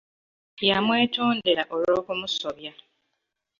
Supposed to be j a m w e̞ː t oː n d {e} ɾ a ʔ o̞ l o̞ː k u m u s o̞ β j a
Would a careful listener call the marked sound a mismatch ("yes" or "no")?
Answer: no